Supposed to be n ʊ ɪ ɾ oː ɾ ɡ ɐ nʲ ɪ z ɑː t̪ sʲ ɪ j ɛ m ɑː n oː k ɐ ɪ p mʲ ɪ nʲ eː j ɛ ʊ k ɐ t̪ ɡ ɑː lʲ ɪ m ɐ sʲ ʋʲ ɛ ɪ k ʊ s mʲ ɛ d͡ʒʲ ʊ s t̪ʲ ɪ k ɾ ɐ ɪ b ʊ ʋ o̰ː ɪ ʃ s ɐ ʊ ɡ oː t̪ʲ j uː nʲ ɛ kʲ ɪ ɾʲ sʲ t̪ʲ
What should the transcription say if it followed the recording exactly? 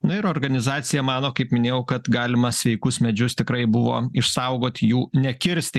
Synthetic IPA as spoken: n ʊ ɪ ɾ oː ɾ ɡ ɐ nʲ ɪ z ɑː t̪ sʲ ɪ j ɛ m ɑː n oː k ɐ ɪ p mʲ ɪ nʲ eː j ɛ ʊ k ɐ t̪ ɡ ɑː lʲ ɪ m ɐ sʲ ʋʲ ɛ ɪ k ʊ s mʲ ɛ d͡ʒʲ ʊ s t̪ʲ ɪ k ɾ ɐ ɪ b ʊ ʋ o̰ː ɪ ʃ s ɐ ʊ ɡ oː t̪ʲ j uː nʲ ɛ kʲ ɪ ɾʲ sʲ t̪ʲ